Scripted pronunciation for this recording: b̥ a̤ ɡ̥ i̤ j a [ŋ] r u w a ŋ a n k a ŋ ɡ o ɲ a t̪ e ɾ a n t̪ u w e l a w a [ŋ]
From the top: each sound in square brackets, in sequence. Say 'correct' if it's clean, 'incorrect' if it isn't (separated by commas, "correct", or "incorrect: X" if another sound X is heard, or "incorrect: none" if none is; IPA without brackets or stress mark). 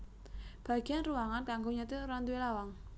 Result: incorrect: n, correct